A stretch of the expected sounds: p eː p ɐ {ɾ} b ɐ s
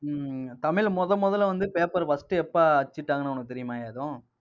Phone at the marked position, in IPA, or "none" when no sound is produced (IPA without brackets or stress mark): ɾ